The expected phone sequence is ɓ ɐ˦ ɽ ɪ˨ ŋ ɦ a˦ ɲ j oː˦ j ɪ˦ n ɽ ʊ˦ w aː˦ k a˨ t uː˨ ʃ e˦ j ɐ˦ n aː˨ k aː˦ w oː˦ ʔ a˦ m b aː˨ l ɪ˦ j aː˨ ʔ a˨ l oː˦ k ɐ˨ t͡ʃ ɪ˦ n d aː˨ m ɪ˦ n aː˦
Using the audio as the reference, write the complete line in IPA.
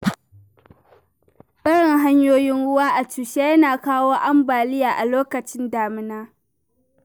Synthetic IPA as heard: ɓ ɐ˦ ɽ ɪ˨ ŋ ɦ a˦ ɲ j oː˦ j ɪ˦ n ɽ ʊ˦ w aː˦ ʔ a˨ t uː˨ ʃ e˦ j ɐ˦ n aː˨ k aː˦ w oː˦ ʔ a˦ m b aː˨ l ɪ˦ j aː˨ ʔ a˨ l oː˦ k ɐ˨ t͡ʃ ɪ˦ n d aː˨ m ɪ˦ n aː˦